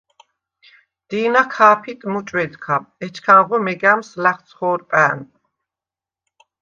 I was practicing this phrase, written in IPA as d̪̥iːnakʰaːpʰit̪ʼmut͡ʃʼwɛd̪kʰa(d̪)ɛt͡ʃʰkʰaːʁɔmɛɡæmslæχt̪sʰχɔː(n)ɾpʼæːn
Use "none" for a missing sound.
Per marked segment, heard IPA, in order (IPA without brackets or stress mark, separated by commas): none, none